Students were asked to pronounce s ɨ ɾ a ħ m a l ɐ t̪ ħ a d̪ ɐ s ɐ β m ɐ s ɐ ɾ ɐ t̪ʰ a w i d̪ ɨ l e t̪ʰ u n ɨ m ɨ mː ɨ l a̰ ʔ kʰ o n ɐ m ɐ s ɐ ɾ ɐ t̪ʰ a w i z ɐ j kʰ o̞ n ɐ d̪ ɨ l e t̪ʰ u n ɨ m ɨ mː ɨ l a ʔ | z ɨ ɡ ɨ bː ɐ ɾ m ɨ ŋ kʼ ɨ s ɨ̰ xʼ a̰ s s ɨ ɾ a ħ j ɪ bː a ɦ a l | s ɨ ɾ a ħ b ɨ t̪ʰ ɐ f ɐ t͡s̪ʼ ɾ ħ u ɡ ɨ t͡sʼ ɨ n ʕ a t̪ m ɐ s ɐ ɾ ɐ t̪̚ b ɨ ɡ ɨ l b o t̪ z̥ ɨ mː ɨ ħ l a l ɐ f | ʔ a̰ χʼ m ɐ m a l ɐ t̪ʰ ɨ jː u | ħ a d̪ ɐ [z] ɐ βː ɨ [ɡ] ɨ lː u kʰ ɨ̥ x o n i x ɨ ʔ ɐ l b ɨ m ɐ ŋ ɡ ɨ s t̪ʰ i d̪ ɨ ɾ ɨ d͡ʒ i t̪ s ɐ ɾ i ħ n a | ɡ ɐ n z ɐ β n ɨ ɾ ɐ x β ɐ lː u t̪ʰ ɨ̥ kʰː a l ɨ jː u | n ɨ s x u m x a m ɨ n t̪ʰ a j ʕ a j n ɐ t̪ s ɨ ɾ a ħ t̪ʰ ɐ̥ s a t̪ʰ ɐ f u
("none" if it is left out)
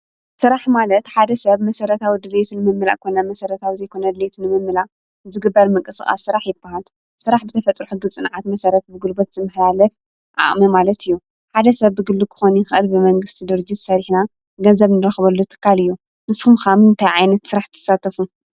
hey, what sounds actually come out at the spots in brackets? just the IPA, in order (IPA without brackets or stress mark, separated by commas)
s, ɡ